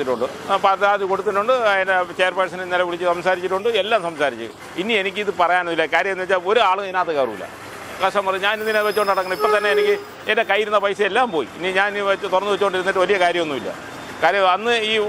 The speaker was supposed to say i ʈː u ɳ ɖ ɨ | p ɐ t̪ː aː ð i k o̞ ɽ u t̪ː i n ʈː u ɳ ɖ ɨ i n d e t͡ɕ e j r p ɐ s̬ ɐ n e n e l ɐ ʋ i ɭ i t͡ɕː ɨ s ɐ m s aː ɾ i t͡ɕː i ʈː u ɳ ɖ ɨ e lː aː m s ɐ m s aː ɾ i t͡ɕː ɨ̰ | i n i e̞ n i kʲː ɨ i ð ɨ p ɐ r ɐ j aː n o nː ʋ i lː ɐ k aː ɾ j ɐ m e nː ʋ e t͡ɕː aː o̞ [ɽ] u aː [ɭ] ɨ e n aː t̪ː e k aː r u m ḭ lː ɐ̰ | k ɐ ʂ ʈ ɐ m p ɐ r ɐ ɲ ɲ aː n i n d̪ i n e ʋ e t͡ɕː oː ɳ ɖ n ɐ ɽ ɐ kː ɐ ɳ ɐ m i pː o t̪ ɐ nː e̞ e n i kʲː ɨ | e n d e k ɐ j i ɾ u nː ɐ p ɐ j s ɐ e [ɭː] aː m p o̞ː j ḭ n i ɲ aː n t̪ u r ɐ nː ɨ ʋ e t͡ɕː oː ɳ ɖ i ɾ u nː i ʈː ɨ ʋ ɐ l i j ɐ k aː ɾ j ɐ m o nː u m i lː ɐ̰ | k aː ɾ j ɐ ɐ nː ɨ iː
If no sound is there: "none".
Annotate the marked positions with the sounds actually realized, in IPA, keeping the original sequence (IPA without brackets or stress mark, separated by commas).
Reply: ɾ, ɭ, lː